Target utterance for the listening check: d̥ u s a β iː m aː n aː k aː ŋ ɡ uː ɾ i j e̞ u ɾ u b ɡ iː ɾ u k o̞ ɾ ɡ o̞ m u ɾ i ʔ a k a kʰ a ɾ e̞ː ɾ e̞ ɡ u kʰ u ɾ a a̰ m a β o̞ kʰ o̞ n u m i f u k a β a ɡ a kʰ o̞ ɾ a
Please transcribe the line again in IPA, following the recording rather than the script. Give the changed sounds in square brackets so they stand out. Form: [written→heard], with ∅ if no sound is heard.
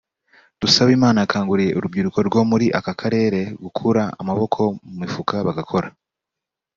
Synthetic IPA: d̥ u s a β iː m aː n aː k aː ŋ ɡ [uː→u] ɾ i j e̞ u ɾ u b ɡ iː ɾ u k o̞ ɾ ɡ o̞ m u ɾ i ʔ a k a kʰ a ɾ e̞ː ɾ e̞ ɡ u kʰ u ɾ a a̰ m a β o̞ kʰ o̞ [n→m] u m i f u k a β a ɡ a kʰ o̞ ɾ a